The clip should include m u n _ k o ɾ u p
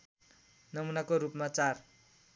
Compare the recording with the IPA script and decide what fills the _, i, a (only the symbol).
a